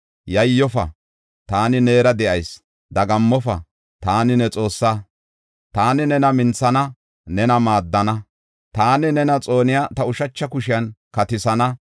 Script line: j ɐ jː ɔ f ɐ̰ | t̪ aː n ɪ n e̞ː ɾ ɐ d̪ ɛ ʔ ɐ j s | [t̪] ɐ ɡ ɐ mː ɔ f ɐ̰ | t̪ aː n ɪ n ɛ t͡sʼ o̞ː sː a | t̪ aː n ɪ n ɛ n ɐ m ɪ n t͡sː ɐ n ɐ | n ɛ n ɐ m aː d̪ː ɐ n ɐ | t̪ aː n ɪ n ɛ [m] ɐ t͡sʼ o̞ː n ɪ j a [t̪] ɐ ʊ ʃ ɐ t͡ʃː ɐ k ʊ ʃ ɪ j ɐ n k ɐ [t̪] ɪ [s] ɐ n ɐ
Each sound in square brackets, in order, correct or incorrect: incorrect, incorrect, correct, correct, correct

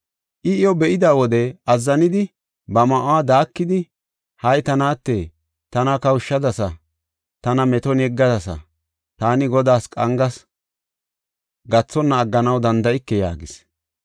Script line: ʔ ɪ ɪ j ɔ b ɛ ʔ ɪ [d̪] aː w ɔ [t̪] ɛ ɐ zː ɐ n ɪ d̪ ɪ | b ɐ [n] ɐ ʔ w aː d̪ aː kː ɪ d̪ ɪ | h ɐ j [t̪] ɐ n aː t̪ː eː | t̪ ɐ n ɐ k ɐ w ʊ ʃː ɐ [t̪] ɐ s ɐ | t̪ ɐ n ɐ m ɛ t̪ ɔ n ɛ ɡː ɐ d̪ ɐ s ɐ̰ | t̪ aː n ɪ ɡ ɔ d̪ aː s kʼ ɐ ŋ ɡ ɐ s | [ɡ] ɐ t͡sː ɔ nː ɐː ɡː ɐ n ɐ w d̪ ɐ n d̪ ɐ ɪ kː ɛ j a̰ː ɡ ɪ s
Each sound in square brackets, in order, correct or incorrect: correct, incorrect, incorrect, correct, incorrect, correct

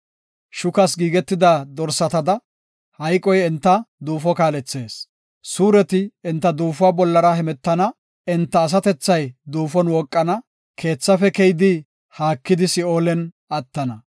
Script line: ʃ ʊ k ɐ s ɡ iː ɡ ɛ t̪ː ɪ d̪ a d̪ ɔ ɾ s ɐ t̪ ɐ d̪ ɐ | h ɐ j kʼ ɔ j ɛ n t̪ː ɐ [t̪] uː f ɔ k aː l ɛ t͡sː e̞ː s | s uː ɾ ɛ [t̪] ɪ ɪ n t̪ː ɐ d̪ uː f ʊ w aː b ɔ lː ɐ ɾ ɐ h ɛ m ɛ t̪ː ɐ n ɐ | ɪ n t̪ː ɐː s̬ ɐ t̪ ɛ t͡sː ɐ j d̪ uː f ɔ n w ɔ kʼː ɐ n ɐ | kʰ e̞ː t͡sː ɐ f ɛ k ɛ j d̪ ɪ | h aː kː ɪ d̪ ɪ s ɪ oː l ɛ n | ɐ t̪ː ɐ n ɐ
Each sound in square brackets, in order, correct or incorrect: incorrect, correct

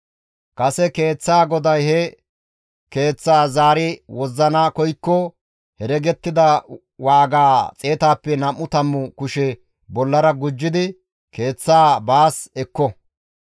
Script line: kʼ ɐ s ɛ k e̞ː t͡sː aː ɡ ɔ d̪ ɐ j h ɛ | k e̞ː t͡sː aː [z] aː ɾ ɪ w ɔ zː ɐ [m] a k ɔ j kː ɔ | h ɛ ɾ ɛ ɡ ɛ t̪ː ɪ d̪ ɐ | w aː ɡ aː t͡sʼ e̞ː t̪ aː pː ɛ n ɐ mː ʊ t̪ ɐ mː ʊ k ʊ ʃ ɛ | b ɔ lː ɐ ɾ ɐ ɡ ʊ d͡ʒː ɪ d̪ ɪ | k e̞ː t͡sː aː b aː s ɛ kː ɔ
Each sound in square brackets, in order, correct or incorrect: correct, incorrect

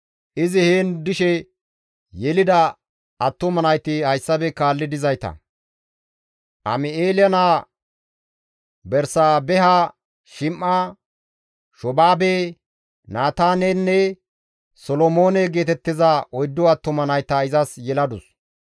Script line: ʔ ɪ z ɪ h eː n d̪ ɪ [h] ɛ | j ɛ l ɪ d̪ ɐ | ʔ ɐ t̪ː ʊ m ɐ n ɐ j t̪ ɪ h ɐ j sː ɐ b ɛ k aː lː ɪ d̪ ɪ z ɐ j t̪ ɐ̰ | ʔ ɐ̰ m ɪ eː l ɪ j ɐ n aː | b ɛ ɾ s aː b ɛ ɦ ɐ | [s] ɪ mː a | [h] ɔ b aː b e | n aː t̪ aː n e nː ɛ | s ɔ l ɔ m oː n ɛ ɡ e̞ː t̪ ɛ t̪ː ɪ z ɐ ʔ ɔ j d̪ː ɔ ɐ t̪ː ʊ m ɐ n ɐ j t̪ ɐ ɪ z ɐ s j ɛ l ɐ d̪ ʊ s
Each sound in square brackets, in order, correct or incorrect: incorrect, incorrect, incorrect

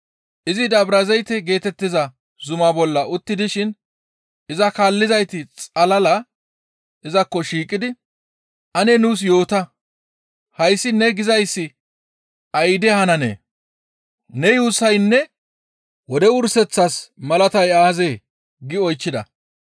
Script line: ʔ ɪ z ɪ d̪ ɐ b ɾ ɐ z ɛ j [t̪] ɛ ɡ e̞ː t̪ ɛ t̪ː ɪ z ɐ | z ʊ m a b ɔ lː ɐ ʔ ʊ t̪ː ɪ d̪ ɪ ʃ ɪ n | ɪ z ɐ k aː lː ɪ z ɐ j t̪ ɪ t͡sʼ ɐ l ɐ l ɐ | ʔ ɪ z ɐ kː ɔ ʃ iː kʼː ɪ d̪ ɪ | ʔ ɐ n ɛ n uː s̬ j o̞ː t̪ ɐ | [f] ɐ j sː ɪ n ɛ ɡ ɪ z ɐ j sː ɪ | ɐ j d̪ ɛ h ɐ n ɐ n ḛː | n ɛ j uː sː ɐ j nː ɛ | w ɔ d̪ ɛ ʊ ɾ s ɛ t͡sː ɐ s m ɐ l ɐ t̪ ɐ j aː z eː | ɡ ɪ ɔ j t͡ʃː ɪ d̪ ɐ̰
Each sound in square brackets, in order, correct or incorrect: correct, incorrect

